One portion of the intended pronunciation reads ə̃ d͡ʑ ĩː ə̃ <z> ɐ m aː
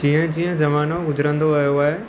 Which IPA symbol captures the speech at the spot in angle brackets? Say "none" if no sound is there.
z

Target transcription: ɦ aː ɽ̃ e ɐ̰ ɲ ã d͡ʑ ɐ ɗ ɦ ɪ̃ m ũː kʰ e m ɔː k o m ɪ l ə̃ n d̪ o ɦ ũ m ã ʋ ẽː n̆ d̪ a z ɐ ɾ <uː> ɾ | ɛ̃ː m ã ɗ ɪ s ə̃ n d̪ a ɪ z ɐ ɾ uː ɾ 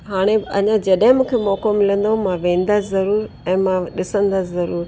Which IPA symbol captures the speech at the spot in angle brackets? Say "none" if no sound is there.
uː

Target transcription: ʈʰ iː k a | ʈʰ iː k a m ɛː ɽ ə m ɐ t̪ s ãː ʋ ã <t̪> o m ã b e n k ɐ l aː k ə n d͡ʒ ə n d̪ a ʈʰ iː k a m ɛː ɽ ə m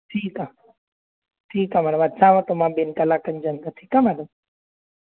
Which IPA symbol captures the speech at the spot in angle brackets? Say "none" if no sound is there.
t̪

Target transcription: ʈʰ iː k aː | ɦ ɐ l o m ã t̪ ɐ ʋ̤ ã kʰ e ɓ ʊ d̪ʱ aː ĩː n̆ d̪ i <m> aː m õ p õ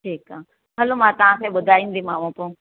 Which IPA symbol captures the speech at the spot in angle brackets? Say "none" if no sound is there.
m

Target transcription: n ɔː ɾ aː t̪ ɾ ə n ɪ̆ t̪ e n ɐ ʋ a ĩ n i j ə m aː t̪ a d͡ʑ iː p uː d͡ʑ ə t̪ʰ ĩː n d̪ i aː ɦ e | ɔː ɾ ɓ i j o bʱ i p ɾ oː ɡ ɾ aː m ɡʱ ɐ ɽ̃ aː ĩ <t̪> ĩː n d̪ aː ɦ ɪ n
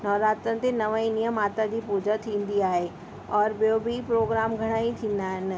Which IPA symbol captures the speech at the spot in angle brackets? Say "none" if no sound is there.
t̪ʰ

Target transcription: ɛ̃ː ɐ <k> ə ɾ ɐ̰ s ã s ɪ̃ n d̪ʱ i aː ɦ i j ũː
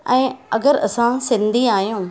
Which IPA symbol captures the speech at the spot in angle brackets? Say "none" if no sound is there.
ɡ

